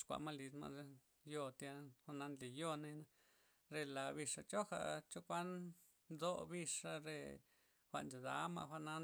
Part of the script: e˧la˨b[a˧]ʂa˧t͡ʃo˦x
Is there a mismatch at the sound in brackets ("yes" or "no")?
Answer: yes